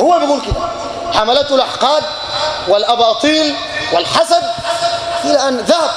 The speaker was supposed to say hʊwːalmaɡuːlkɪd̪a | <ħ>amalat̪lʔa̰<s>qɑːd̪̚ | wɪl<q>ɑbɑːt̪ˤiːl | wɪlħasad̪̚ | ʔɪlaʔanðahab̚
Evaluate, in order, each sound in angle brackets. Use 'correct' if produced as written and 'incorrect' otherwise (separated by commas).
correct, incorrect, incorrect